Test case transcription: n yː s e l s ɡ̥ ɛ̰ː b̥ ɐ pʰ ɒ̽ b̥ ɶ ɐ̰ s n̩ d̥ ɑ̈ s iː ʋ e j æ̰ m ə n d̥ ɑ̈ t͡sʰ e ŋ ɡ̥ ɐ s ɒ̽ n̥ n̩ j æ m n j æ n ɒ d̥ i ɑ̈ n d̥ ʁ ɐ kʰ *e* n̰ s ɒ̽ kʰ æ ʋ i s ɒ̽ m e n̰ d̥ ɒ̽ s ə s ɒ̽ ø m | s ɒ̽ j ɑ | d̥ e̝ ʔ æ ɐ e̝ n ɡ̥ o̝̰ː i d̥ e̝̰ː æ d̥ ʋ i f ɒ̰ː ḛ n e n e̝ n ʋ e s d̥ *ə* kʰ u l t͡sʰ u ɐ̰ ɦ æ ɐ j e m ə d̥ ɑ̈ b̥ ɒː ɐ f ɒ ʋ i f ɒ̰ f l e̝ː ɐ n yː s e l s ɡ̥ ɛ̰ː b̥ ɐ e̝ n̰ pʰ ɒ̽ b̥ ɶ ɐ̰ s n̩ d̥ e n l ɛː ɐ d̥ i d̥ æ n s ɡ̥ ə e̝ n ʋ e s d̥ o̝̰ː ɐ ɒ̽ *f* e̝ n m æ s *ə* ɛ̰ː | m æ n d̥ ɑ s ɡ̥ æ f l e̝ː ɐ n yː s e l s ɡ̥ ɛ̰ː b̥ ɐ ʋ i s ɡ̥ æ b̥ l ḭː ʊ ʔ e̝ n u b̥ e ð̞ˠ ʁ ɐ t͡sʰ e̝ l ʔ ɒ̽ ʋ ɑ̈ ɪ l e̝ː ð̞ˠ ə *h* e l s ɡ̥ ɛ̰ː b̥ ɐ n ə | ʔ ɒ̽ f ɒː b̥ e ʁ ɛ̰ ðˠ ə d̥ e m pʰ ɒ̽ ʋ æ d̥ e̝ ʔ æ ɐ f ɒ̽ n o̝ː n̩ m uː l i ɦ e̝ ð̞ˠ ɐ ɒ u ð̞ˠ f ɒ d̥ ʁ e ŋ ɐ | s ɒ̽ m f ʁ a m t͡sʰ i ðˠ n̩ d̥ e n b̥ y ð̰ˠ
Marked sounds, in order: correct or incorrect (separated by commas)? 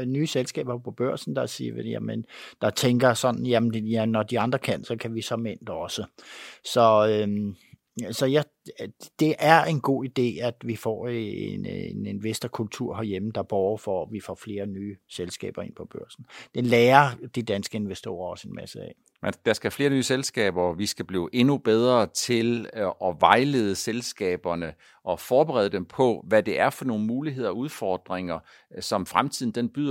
incorrect, incorrect, incorrect, correct, incorrect